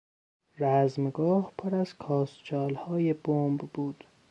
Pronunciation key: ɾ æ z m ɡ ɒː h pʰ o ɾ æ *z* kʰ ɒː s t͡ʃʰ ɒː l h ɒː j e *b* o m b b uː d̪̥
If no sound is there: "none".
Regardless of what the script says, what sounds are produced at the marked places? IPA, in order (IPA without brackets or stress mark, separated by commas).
z, b